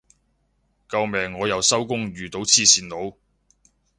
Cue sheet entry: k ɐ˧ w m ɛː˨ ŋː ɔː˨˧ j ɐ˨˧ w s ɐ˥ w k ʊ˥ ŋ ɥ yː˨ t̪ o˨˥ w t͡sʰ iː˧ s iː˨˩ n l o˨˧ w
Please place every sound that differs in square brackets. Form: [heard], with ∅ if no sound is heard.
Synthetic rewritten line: k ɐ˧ w m ɛː˨ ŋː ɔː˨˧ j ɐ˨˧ w s ɐ˥ w k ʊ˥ ŋ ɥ yː˨ t̪ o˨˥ w t͡sʰ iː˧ s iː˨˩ n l o˨˧ w